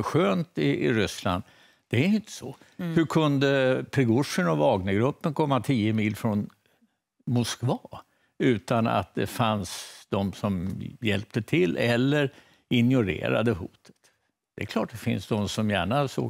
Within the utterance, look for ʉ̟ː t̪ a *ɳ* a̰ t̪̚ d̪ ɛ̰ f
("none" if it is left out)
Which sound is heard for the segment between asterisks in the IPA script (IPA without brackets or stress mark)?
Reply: n